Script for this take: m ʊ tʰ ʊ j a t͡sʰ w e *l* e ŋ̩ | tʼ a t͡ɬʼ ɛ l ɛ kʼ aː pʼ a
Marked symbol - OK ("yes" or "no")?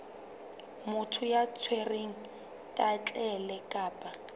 no